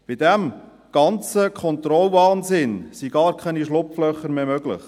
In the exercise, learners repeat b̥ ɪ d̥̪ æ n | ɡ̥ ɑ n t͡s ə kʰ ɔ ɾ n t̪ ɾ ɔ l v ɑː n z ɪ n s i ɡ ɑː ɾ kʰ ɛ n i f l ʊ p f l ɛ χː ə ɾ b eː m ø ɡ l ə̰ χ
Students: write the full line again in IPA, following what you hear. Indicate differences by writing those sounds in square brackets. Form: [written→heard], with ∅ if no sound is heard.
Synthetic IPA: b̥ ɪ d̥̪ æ [n→m] | ɡ̥ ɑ n t͡s ə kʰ ɔ [ɾ→∅] n t̪ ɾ ɔ l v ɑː n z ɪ n s i ɡ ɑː ɾ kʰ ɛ n i [f→ʃ] l ʊ p f l [ɛ→œ] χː ə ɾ [b→m] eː m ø ɡ l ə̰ χ

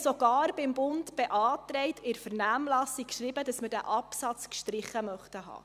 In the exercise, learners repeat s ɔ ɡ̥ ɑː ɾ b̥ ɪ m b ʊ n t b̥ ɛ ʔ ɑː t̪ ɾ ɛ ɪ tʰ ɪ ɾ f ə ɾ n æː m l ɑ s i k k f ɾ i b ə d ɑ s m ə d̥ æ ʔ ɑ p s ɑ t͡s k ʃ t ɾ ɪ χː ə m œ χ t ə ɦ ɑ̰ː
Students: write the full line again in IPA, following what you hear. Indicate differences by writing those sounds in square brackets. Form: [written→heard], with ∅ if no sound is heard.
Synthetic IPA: s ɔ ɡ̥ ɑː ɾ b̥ ɪ m b ʊ n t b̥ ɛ ʔ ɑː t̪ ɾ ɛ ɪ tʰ ɪ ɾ f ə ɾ n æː m l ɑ s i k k [f→ʃ] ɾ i b ə d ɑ s m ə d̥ æ ʔ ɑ p s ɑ t͡s k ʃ t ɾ ɪ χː ə m œ χ t ə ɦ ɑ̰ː

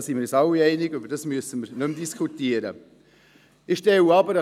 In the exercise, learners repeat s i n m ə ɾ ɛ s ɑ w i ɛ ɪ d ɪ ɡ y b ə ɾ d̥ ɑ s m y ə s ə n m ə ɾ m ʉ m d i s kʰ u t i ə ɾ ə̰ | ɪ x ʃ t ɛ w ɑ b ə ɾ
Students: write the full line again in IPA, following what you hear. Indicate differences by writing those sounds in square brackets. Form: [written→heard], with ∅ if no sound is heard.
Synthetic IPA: s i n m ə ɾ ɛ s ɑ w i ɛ ɪ [d→n] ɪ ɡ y b ə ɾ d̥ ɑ s m y ə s ə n m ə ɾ [m→n] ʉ m d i s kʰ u t i ə ɾ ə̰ | ɪ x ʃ t ɛ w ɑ b ə ɾ

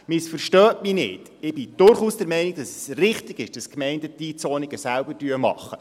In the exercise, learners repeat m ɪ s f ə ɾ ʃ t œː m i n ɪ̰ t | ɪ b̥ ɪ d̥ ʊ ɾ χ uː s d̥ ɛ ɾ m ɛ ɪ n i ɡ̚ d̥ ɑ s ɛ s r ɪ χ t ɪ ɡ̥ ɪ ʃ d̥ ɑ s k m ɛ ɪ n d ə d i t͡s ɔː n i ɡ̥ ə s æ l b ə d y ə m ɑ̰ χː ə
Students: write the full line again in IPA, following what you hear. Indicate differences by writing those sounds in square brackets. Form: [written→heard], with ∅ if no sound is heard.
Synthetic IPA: m ɪ s f ə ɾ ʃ t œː m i n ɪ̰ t | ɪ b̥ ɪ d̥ ʊ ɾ χ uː s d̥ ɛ ɾ m ɛ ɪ n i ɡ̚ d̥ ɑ s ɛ s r ɪ χ t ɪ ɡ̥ ɪ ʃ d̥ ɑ s k m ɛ ɪ n d ə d i t͡s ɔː n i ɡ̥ ə s æ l b ə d y ə m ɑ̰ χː ə

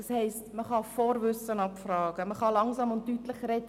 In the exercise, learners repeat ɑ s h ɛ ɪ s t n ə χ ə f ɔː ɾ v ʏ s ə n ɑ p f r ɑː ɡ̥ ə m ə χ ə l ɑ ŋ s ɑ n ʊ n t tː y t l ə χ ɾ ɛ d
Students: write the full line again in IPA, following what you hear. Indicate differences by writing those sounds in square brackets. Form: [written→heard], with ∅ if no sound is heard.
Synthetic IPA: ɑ s h ɛ ɪ s t [n→m] ə χ [ə→ɑ] f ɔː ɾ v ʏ s ə n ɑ p f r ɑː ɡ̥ ə m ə χ [ə→ɑ] l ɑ ŋ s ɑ [n→m] ʊ n t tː y t l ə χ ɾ ɛ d

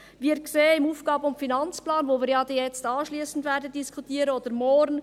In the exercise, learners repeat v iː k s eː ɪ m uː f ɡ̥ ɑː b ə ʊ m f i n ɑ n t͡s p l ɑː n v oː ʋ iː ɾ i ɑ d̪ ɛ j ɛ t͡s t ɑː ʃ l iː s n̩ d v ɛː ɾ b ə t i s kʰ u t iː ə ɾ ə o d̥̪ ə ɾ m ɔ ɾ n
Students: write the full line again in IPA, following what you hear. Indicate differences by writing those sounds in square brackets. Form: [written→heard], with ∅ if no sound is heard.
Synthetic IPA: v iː k s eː ɪ m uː f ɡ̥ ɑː b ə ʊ m f i n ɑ n t͡s p l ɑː n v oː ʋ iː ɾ [i→j] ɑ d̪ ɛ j ɛ t͡s t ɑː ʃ l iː s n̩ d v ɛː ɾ [b→d] ə [t→d] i s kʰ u t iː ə ɾ ə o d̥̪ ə ɾ m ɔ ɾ n

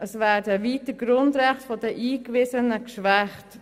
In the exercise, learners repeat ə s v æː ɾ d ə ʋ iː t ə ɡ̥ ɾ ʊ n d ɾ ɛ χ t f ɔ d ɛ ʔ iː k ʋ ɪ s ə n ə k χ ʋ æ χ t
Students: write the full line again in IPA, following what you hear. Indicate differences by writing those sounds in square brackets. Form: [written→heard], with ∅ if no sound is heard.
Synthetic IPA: ə s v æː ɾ d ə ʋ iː t ə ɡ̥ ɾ ʊ n d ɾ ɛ χ t f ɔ d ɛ ʔ iː k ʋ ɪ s ə n ə k [χ→ʃ] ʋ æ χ t

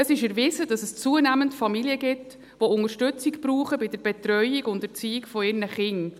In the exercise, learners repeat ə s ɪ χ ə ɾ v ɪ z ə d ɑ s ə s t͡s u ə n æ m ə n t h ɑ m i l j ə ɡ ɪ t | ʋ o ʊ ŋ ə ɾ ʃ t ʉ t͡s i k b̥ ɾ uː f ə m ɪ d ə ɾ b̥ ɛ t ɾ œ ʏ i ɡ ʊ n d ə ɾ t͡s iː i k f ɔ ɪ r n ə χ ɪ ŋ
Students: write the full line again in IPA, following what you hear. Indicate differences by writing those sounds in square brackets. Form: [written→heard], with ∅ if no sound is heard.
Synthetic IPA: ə s ɪ [χ→ʃ] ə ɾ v ɪ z ə d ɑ s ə s t͡s u ə n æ m ə n t [h→f] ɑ m i l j ə ɡ ɪ t | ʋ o ʊ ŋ ə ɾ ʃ t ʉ t͡s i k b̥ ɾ uː [f→χ] ə [m→b] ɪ d ə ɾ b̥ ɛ t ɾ œ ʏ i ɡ ʊ n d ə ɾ t͡s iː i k f ɔ ɪ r n ə χ ɪ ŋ

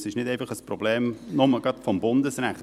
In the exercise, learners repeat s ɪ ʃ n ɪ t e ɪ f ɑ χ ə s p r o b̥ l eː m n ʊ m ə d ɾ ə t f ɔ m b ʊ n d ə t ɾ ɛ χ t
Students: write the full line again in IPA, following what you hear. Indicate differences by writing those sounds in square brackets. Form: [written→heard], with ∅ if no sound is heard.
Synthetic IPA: s ɪ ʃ n ɪ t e ɪ f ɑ χ ə s p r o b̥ l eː m n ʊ m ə [d→ɡ] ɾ [ə→ɑ] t f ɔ m b ʊ n d ə [t→s] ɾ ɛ χ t

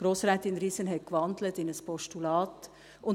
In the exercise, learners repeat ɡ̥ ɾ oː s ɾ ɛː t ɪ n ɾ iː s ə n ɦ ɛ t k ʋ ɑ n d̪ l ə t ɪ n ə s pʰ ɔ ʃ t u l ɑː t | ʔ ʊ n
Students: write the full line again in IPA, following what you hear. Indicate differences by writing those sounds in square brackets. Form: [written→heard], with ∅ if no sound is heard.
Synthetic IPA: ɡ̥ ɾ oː s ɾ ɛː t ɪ n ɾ iː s ə n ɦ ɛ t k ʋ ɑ n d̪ l ə t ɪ n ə s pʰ ɔ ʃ t u l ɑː t | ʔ ʊ n

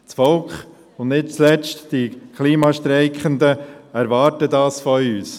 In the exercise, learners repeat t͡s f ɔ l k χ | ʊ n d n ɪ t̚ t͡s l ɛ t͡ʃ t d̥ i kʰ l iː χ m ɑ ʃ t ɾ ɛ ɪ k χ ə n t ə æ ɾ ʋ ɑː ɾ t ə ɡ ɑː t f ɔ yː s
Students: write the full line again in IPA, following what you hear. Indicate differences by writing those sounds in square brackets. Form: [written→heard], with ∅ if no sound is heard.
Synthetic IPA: t͡s f ɔ l k χ | ʊ n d n ɪ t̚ t͡s l ɛ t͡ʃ t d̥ i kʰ l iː [χ→∅] m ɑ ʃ t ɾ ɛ ɪ k χ ə n [t→d] ə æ ɾ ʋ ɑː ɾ t ə [ɡ→d] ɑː [t→s] f ɔ yː s

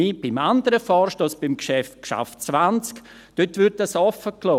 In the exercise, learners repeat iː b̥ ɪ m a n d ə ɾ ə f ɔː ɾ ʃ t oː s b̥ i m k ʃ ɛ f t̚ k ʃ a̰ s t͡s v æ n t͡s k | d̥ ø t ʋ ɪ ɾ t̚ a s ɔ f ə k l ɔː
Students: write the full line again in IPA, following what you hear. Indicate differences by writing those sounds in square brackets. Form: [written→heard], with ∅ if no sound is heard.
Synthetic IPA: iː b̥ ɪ m a n d ə ɾ ə f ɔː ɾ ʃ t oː s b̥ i m k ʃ ɛ f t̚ k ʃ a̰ [s→f] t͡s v [æ→a] n t͡s k | d̥ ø t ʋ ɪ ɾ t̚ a s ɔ f ə k l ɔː

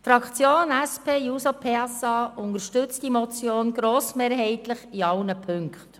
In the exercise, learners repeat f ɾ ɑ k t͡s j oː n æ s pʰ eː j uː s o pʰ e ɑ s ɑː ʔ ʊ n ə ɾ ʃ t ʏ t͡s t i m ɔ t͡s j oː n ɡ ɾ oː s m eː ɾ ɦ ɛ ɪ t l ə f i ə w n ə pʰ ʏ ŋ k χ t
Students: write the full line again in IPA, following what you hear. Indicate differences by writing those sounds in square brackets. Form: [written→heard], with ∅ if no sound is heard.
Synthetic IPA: f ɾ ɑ k t͡s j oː n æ s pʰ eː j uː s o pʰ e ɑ s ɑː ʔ ʊ n ə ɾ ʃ t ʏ t͡s t i m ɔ t͡s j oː n ɡ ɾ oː s m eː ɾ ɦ ɛ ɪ t l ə [f→χ] i [ə→ɑ] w n ə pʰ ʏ ŋ k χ t

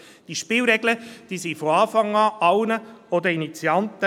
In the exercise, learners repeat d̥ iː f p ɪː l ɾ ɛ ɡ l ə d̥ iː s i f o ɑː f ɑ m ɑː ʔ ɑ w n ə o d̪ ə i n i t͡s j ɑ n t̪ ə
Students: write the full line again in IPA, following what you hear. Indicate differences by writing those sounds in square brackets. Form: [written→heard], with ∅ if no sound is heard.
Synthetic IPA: d̥ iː [f→ʃ] p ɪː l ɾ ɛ ɡ l ə d̥ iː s i f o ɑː f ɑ [m→ŋ] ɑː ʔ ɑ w n ə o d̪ ə i n i t͡s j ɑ n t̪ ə

